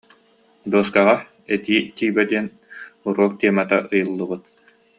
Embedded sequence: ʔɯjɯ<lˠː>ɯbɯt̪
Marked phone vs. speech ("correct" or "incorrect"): correct